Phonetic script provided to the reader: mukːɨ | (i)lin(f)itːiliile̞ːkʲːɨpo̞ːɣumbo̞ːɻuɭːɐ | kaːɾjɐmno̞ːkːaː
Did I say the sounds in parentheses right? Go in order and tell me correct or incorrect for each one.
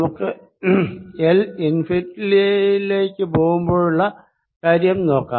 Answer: incorrect, correct

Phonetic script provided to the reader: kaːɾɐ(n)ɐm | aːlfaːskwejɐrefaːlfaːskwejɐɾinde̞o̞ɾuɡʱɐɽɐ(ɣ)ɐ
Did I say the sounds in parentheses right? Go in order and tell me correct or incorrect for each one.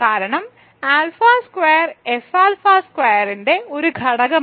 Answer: incorrect, correct

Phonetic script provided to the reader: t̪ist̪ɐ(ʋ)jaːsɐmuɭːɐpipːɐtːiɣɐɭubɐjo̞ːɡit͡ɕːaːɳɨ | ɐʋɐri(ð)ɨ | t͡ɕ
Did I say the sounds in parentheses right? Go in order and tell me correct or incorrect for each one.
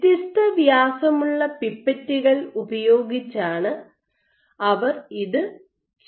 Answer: correct, correct

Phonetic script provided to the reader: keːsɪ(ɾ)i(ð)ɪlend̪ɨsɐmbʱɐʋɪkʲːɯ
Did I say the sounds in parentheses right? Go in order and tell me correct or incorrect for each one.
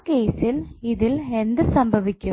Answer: incorrect, correct

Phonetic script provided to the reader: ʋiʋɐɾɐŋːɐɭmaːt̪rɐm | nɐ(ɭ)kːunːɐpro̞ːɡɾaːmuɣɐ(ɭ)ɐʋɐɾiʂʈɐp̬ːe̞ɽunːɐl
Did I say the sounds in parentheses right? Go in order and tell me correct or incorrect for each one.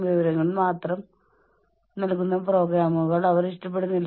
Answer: incorrect, correct

